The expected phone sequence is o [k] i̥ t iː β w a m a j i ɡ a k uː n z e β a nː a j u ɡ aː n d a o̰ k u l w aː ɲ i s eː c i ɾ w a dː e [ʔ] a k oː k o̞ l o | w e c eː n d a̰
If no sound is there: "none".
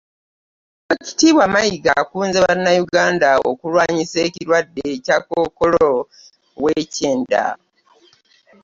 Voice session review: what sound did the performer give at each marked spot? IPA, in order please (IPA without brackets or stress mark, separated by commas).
c, c